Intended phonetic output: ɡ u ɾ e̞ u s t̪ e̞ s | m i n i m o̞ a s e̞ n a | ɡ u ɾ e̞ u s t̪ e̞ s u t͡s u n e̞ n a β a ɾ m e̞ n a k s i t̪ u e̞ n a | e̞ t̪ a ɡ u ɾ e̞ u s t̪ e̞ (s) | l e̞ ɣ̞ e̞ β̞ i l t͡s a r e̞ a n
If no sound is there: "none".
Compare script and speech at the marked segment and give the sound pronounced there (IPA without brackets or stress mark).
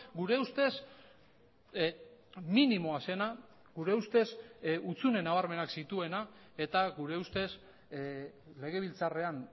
s